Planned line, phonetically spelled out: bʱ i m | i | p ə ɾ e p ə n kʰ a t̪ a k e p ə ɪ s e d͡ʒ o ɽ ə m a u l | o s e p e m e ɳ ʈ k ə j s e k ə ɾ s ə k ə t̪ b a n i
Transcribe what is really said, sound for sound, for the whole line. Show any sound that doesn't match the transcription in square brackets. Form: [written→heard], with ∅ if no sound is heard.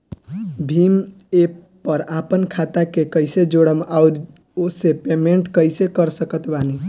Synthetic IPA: bʱ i m | [i→e] | p ə ɾ [e→a] p ə n kʰ a t̪ a k e [p→k] ə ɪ s e d͡ʒ o ɽ ə m a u [l→ɾ] | o s e p e m e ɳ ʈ k ə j s e k ə ɾ s ə k ə t̪ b a n i

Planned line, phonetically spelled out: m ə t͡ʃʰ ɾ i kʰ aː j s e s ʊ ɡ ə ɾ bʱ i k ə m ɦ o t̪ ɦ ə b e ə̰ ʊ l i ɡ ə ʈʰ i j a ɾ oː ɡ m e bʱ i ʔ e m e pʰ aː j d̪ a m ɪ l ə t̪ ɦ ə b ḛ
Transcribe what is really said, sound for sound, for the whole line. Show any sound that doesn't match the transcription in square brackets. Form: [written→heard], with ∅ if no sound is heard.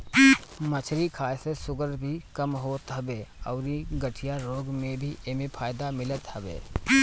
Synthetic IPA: m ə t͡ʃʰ ɾ i kʰ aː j s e s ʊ ɡ ə ɾ bʱ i k ə m ɦ o t̪ ɦ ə b e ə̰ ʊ [l→ɾ] i ɡ ə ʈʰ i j a ɾ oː ɡ m e bʱ i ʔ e m e pʰ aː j d̪ a m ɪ l ə t̪ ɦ ə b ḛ

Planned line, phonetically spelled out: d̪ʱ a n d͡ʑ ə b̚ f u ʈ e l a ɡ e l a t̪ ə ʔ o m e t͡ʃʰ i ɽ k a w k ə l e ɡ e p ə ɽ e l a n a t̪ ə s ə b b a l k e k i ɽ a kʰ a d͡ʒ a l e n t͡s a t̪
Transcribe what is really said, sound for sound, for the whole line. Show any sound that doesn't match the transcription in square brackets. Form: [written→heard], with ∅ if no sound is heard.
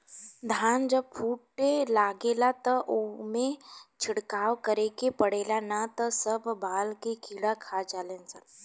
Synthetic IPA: d̪ʱ a n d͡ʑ ə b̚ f u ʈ e l a ɡ e l a t̪ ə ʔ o m e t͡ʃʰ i ɽ k a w k ə [l→ɾ] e [ɡ→k] e p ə ɽ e l a n a t̪ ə s ə b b a l k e k i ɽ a kʰ a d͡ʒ a l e n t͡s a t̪

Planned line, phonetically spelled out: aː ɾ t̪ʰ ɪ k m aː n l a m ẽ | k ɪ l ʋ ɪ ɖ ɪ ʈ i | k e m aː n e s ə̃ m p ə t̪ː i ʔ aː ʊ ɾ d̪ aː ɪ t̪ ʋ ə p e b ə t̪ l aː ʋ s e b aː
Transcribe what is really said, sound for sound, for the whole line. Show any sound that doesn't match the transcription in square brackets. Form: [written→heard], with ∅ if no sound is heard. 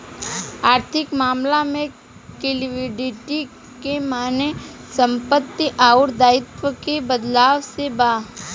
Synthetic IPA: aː ɾ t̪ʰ ɪ k m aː [n→m] l a m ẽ | k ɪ l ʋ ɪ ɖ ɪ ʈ i | k e m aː n e s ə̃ m p ə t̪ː i ʔ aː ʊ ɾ d̪ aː ɪ t̪ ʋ ə [p→k] e b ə [t̪→d̪] l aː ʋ s e b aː

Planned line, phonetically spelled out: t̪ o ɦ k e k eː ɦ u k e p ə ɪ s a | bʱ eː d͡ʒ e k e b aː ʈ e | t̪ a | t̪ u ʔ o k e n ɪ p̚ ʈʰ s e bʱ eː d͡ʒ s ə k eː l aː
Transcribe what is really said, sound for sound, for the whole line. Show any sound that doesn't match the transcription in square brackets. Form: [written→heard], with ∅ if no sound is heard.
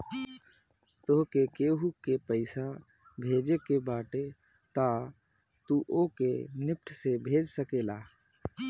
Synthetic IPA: t̪ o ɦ k e k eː ɦ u k e p ə ɪ s a | bʱ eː d͡ʒ e k e b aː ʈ e | t̪ a | t̪ u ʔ o k e n ɪ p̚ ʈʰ s e bʱ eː d͡ʒ s ə k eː l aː

